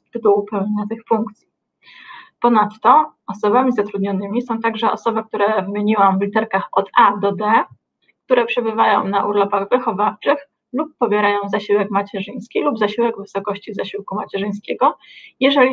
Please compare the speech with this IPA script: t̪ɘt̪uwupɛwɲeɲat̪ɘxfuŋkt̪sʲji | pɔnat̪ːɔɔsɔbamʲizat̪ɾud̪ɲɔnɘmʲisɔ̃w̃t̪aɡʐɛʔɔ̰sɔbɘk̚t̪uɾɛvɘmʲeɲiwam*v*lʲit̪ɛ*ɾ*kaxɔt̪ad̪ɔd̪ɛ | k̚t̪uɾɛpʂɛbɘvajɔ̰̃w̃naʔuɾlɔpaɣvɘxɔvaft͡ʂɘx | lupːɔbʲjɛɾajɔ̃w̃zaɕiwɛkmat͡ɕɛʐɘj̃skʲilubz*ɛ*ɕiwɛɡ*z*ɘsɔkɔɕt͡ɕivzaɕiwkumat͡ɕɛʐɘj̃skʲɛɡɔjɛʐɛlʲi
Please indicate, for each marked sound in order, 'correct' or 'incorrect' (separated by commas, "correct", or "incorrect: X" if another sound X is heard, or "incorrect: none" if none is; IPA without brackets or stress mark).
correct, correct, incorrect: a, incorrect: v